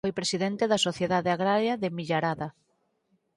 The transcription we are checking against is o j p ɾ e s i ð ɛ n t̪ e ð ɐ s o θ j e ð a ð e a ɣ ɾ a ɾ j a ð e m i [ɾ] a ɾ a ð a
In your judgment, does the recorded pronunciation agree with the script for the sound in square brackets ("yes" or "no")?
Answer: no